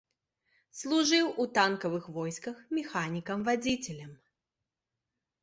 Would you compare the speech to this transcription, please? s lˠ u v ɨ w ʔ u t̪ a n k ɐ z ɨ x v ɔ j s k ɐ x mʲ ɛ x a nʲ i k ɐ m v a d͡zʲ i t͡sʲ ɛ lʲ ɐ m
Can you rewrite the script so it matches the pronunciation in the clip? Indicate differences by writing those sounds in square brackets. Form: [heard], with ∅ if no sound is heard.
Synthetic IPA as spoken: s lˠ u [ʐ] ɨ w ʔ u t̪ a n k ɐ [v] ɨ x v ɔ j s k ɐ x mʲ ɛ x a nʲ i k ɐ m v a d͡zʲ i t͡sʲ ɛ lʲ ɐ m